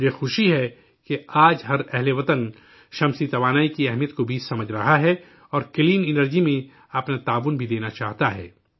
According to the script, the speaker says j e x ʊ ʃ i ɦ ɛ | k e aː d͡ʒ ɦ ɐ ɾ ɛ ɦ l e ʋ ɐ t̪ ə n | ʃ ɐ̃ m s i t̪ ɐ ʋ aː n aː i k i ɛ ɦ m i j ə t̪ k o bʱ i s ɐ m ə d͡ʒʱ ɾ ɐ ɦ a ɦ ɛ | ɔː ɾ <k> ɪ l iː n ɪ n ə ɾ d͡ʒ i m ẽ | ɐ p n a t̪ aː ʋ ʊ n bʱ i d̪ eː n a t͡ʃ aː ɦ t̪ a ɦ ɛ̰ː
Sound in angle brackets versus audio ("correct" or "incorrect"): correct